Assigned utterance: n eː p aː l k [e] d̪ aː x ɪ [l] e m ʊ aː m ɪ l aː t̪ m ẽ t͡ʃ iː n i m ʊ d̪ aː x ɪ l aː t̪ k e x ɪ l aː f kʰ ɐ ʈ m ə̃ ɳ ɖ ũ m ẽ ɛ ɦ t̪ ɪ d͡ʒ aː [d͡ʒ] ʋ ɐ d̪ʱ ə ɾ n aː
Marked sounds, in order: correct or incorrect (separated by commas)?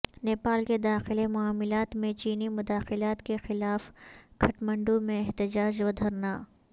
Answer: correct, correct, correct